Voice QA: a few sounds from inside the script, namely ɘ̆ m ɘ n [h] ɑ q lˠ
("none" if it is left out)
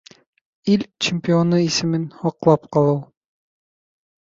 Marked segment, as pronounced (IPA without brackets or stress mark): h